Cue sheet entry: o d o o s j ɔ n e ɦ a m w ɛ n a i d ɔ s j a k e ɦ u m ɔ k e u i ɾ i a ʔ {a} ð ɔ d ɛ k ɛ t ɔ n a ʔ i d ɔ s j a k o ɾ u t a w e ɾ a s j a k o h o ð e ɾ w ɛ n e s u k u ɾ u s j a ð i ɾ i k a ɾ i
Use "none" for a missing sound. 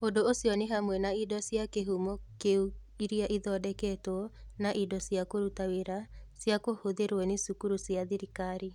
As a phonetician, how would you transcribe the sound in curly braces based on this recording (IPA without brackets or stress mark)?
i